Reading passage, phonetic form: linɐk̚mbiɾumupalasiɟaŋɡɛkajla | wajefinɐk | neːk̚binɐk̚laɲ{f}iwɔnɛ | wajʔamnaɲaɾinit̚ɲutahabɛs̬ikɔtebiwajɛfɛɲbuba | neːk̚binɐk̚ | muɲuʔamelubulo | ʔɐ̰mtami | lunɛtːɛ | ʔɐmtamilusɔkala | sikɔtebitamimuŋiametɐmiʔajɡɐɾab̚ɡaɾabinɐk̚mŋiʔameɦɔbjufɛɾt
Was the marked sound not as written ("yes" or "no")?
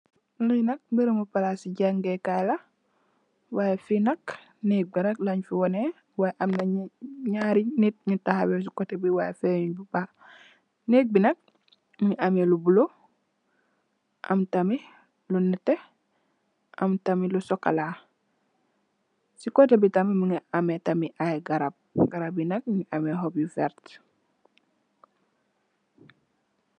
no